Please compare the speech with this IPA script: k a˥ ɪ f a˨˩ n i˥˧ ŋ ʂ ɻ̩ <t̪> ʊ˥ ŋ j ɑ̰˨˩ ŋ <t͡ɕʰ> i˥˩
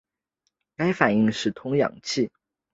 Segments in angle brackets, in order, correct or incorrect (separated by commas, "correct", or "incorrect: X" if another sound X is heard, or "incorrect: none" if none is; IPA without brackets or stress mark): incorrect: t̪ʰ, correct